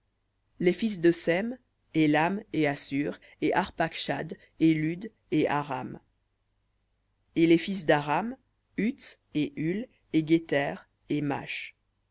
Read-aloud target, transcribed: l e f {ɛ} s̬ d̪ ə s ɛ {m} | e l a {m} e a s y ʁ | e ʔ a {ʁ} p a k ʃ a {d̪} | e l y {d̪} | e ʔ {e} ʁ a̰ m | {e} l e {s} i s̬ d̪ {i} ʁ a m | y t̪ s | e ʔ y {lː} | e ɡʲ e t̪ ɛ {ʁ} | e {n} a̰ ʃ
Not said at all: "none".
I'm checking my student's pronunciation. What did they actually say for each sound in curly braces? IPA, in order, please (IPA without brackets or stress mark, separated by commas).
i, m, m, ʁ, d̪, d̪, a, e, f, a, l, ʁ, m